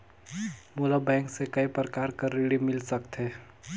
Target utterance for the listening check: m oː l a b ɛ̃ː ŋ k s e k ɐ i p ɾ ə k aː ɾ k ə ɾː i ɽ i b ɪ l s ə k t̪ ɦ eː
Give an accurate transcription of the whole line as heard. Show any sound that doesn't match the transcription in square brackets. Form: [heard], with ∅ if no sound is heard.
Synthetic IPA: m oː l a b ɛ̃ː ŋ k s e k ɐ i p ɾ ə k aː ɾ k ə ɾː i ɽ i [m] ɪ l s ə k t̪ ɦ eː